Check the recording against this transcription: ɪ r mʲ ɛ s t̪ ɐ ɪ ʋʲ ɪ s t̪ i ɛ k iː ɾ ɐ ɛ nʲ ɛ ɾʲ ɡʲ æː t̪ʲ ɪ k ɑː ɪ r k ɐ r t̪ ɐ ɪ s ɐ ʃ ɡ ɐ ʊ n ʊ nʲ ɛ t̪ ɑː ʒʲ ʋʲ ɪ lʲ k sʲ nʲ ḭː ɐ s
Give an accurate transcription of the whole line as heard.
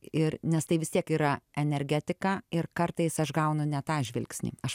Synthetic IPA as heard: ɪ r nʲ ɛ s t̪ ɐ ɪ ʋʲ ɪ s t̪ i ɛ k iː ɾ ɐ ɛ nʲ ɛ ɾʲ ɡʲ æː t̪ʲ ɪ k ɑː ɪ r k ɐ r t̪ ɐ ɪ s ɐ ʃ ɡ ɐ ʊ n ʊ nʲ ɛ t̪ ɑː ʒʲ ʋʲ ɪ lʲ k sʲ nʲ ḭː ɐ ʃ